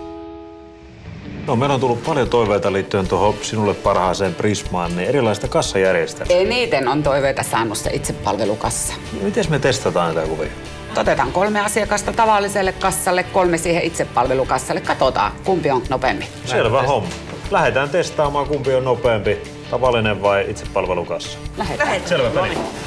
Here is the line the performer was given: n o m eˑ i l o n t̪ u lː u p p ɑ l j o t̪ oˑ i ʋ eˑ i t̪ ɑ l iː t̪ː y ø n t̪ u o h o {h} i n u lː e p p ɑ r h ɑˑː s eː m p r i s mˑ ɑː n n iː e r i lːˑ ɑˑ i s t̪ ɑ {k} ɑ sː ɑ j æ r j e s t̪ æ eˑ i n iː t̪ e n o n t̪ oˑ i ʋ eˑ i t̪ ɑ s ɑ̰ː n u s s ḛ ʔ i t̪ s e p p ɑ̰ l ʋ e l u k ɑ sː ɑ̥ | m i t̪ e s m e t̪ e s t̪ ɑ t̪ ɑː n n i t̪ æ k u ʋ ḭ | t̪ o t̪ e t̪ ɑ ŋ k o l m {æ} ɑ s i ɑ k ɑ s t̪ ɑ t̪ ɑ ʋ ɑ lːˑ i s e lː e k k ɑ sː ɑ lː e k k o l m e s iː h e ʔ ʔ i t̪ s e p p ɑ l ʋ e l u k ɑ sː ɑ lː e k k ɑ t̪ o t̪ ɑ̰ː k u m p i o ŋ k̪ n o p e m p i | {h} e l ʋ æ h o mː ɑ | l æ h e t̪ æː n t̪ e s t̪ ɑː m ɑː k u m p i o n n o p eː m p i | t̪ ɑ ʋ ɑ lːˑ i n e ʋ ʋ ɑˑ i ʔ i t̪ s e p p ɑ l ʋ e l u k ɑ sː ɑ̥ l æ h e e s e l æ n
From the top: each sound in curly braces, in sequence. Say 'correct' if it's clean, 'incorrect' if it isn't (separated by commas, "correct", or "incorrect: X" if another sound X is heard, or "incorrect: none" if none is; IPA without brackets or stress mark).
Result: incorrect: s, correct, incorrect: e, incorrect: s